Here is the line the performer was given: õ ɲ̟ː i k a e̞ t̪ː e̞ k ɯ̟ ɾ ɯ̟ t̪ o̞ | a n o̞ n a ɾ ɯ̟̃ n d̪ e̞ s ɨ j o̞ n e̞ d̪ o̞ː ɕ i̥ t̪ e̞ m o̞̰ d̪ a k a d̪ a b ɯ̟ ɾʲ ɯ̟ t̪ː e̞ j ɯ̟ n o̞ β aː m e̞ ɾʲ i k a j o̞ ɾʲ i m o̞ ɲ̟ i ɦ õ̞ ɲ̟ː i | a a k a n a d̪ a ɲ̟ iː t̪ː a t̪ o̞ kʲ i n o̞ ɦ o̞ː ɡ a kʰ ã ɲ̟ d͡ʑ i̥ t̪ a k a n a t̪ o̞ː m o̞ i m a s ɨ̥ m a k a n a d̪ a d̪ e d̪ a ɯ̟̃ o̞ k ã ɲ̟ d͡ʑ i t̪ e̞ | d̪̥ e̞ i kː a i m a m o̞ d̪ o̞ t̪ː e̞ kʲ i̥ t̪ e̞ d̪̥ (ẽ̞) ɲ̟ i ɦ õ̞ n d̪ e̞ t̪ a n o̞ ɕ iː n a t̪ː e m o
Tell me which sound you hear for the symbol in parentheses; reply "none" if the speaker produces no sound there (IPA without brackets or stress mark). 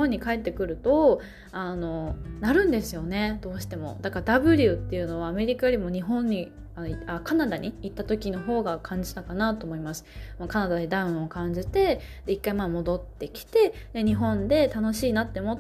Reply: e̞